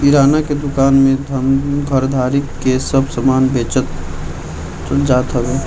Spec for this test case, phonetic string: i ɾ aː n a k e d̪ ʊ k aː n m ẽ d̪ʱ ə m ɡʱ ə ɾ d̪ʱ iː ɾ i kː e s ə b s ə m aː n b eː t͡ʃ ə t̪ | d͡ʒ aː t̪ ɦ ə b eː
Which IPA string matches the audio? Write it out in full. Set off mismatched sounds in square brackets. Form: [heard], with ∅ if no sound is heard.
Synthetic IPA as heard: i ɾ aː n a k e d̪ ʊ k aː n m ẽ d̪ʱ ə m ɡʱ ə ɾ d̪ʱ [aː] ɾ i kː e s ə b s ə m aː n b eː t͡ʃ ə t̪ | d͡ʒ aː t̪ ɦ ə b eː